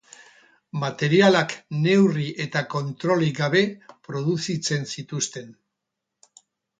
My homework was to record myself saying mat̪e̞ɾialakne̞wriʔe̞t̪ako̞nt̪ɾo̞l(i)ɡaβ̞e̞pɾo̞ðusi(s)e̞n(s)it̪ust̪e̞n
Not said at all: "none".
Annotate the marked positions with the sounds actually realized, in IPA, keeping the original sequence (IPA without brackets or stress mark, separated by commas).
i, t͡s, s